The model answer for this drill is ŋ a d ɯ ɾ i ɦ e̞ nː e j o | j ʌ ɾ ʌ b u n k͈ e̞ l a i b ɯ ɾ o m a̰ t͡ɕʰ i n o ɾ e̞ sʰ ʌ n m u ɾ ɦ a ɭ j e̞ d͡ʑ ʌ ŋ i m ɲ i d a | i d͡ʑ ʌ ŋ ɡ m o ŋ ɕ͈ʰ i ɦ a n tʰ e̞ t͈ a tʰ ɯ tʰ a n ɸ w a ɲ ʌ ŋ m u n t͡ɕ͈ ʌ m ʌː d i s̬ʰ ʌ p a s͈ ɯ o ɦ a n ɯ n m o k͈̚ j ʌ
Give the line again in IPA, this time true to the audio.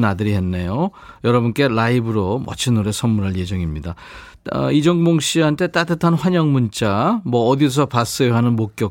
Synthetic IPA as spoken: n a d ɯ ɾ i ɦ e̞ nː e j o | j ʌ ɾ ʌ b u n k͈ e̞ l a i b ɯ ɾ o m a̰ t͡ɕʰ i n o ɾ e̞ sʰ ʌ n m u ɾ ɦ a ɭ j e̞ d͡ʑ ʌ ŋ i m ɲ i d a | i d͡ʑ ʌ ŋ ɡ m o ŋ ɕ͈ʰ i ɦ a n tʰ e̞ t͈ a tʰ ɯ tʰ a n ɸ w a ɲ ʌ ŋ m u n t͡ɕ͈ a m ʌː d i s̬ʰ ʌ p a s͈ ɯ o ɦ a n ɯ n m o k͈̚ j ʌ